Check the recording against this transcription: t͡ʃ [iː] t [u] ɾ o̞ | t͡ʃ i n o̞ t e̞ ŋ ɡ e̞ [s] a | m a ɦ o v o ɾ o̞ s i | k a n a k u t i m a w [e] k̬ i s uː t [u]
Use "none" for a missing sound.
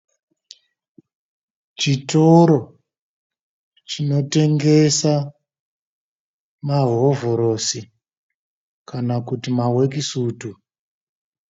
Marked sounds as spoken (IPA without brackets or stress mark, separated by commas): i, o, s, e, u